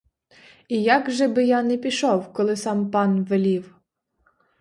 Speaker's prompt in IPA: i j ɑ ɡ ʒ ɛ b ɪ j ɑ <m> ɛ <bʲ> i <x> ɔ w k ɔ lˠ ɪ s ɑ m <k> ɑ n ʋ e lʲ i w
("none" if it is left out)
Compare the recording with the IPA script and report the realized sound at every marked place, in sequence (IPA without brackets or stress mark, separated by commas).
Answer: n, pʲ, ʃ, p